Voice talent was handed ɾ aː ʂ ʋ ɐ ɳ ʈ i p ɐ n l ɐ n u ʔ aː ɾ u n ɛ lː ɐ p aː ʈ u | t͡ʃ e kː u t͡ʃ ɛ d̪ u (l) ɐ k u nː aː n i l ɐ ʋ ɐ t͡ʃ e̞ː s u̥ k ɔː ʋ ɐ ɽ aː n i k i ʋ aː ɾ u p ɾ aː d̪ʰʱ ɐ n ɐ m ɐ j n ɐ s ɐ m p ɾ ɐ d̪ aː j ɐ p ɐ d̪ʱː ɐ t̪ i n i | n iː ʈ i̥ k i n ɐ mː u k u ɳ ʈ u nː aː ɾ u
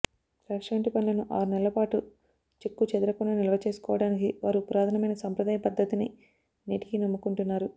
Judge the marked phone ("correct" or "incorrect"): incorrect